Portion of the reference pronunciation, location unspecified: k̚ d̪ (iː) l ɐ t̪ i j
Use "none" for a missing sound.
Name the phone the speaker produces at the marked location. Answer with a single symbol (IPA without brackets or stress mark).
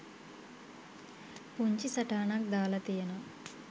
aː